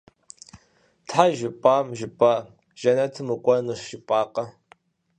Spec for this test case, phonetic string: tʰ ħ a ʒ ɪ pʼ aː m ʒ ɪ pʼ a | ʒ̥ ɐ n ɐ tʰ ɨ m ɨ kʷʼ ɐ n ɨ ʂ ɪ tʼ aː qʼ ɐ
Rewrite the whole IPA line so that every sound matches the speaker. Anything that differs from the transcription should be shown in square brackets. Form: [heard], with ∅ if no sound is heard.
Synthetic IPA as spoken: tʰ ħ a ʒ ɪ pʼ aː m ʒ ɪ pʼ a | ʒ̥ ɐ n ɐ tʰ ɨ m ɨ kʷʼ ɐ n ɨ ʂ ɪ [pʼ] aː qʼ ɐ